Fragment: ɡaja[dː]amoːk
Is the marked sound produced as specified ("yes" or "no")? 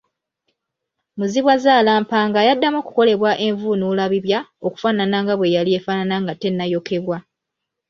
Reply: yes